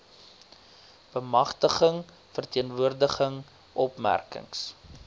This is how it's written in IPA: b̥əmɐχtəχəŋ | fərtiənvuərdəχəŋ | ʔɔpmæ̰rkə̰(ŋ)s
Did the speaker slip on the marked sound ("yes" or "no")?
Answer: no